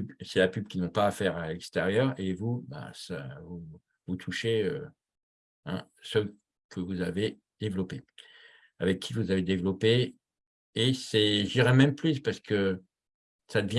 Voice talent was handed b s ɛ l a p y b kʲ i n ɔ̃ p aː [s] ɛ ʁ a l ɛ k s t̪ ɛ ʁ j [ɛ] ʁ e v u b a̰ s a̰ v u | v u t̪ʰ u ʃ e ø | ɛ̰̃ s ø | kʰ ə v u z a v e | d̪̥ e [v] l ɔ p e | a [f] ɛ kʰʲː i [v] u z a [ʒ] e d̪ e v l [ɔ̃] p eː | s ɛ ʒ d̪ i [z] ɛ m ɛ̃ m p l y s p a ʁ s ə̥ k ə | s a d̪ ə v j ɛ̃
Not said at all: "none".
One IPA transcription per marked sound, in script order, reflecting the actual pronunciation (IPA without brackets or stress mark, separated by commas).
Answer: f, œ, v, v, v, v, ɔ, ʁ